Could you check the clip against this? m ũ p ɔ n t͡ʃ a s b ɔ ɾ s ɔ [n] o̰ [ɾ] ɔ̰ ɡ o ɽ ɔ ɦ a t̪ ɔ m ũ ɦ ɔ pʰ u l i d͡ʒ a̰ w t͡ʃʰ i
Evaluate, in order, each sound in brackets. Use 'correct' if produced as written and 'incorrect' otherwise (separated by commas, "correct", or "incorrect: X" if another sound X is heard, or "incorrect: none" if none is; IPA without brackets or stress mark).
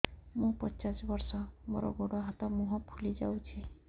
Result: incorrect: m, correct